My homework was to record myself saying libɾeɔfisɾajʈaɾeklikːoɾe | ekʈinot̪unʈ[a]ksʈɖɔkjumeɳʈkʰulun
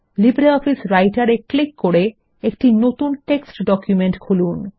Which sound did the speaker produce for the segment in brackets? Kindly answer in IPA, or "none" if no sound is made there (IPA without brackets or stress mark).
e